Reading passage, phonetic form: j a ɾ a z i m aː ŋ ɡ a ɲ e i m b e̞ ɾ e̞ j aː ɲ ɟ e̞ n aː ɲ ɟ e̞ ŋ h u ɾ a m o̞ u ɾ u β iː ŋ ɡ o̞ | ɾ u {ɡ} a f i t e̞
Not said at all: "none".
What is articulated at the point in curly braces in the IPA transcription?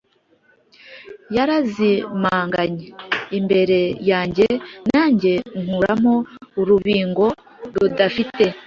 d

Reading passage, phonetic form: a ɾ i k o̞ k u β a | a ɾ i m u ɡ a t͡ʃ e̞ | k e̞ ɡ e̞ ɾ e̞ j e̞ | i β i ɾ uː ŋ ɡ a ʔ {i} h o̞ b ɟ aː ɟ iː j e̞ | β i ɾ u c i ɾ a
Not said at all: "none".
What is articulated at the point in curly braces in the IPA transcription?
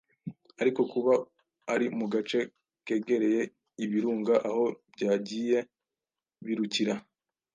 a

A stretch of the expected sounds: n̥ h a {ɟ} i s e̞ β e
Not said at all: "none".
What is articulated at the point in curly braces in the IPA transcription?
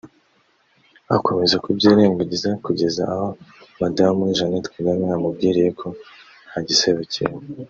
ɟ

